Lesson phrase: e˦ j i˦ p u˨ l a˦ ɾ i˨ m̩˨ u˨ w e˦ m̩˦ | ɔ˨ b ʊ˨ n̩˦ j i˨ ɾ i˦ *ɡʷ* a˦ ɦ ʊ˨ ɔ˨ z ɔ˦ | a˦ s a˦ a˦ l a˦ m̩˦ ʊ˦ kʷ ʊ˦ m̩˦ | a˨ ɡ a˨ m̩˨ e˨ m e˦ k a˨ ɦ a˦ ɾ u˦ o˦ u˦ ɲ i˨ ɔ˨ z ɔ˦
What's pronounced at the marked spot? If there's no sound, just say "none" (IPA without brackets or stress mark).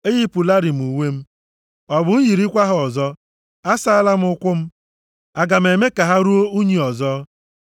kʷ